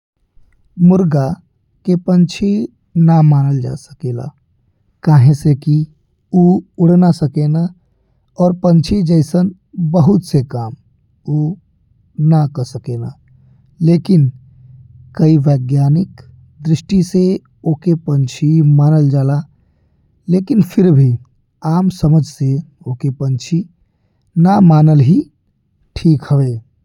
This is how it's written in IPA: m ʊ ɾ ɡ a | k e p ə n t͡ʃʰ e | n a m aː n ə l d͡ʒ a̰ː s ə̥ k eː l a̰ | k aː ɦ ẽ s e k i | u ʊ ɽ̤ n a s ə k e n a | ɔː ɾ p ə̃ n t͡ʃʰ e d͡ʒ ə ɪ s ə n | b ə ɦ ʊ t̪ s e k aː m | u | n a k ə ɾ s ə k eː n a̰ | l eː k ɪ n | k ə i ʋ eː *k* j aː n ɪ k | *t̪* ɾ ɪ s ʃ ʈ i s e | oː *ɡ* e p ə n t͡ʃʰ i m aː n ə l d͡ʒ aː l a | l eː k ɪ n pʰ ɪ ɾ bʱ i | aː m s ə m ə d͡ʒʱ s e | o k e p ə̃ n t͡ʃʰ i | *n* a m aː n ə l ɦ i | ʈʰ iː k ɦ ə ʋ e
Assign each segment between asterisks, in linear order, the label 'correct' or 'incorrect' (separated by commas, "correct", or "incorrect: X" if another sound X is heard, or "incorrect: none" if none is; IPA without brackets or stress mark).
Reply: incorrect: ɡ, incorrect: d̪, incorrect: k, correct